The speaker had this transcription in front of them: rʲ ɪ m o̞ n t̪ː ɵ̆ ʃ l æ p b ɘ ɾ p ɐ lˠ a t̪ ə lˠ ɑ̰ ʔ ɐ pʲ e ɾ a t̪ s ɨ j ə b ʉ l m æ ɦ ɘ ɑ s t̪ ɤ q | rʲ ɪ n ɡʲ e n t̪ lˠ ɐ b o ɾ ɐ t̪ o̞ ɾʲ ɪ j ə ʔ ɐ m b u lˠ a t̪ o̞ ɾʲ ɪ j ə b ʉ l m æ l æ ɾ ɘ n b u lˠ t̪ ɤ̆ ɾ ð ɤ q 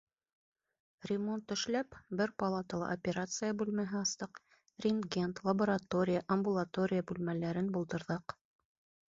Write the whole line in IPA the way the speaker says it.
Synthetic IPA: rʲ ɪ m o̞ n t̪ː ɵ̆ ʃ l æ p b ɘ ɾ p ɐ lˠ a t̪ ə lˠ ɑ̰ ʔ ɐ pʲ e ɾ a t̪ s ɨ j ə b ʉ l m æ ɦ ɘ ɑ s t̪ ɤ q | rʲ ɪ n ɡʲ e n t̪ lˠ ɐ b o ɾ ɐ t̪ o̞ ɾʲ ɪ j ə ʔ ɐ m b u lˠ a t̪ o̞ ɾʲ ɪ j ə b ʉ l m æ l æ ɾ ɘ n b u lˠ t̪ ɤ̆ ɾ ð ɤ q